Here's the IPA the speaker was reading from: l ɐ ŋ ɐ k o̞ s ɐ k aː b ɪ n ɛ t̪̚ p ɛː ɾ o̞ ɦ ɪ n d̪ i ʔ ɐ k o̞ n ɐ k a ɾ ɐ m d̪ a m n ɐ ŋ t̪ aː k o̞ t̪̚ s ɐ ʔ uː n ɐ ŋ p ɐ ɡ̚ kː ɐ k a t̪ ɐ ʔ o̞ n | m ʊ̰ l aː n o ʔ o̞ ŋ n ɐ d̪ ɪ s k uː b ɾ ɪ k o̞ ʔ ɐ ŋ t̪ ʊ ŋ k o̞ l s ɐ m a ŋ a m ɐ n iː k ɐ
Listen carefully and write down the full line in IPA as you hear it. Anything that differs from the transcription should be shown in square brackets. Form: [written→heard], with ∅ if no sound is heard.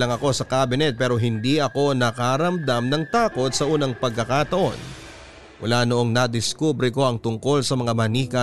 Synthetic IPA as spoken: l ɐ ŋ ɐ k o̞ s ɐ k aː b ɪ n ɛ t̪̚ p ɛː ɾ o̞ ɦ ɪ n d̪ i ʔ ɐ k o̞ n ɐ k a ɾ ɐ m d̪ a m n ɐ ŋ t̪ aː k o̞ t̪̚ s ɐ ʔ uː n ɐ ŋ p ɐ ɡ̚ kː ɐ k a t̪ ɐ ʔ o̞ n | m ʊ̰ l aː n o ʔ o̞ ŋ n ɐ d̪ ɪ s k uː b ɾ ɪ k o̞ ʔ ɐ ŋ t̪ ʊ ŋ k o̞ l s ɐ m [a→ɐ] ŋ a m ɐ n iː k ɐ